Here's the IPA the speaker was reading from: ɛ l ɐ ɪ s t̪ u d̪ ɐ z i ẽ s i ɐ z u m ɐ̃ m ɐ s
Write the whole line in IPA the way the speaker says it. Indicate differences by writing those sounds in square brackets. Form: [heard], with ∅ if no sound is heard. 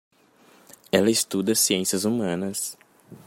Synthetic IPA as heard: ɛ l ɐ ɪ s t̪ u d̪ ɐ [s] i ẽ s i ɐ z u m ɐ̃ [n] ɐ s